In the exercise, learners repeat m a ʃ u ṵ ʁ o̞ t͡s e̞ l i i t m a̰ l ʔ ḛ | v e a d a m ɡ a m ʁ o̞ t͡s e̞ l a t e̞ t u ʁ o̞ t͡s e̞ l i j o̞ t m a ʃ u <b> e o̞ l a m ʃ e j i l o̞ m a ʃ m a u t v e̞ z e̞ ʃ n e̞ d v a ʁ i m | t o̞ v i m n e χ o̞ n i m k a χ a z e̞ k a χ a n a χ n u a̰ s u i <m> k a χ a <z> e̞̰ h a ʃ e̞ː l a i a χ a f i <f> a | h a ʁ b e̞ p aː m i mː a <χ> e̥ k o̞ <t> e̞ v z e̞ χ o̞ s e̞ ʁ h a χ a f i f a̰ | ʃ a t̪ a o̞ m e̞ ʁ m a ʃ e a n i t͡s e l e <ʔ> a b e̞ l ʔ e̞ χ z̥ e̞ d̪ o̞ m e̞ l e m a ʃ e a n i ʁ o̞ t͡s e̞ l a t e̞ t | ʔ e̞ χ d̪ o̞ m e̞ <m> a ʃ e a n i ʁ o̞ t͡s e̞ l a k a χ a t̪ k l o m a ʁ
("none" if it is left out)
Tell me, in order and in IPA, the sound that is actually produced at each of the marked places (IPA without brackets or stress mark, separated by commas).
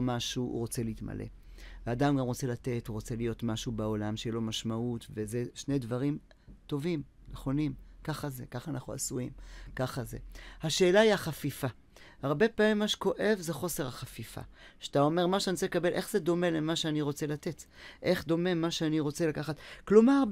b, m, z, f, ʃ, ʔ, k, m